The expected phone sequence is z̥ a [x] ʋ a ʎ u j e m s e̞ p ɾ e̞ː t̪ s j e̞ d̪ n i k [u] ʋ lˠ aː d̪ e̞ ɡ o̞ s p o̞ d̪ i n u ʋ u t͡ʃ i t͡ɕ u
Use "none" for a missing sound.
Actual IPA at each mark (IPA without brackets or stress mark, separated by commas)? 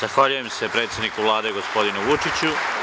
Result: x, u